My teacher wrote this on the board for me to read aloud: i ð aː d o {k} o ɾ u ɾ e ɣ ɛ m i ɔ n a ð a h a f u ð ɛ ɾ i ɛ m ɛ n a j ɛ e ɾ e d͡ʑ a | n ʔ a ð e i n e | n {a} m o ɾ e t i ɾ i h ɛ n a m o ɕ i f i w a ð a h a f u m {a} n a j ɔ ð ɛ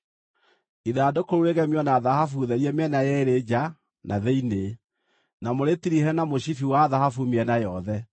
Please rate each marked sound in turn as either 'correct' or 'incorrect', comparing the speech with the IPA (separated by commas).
correct, correct, incorrect